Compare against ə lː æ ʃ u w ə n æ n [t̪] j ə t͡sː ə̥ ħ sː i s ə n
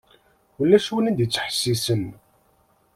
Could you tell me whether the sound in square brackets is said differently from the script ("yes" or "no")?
yes